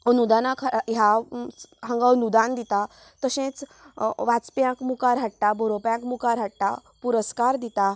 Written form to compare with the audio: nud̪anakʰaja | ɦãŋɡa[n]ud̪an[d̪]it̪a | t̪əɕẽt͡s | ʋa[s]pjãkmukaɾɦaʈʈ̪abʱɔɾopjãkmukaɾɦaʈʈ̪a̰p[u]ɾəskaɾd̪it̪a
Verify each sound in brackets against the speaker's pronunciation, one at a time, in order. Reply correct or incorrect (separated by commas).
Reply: correct, correct, incorrect, correct